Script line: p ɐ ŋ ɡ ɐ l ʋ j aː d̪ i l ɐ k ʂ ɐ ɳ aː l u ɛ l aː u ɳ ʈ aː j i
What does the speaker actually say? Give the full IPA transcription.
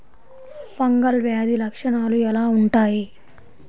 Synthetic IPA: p ɐ ŋ ɡ ɐ l ʋ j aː d̪ i l ɐ k ʂ ɐ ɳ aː l u ɛ l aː u ɳ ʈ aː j i